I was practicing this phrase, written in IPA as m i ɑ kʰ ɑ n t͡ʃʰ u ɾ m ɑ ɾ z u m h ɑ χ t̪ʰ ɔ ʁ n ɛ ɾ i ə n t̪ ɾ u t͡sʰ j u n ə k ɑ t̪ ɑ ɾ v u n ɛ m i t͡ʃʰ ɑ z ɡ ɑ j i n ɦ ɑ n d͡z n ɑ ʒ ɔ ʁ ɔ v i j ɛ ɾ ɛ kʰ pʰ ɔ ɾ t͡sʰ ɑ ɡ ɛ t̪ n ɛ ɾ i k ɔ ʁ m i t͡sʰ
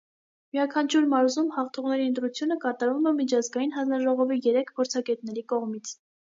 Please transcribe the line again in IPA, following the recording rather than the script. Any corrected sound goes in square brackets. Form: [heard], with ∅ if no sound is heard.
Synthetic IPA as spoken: m i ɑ kʰ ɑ n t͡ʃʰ u ɾ m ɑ ɾ z u m h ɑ χ t̪ʰ ɔ ʁ n ɛ ɾ i ə n t̪ ɾ u t͡sʰ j u n ə k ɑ t̪ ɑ ɾ v u [m] ɛ m i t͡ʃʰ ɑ z ɡ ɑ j i n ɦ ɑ n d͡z n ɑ ʒ ɔ ʁ ɔ v i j ɛ ɾ ɛ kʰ pʰ ɔ ɾ t͡sʰ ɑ ɡ ɛ t̪ n ɛ ɾ i k ɔ ʁ m i t͡sʰ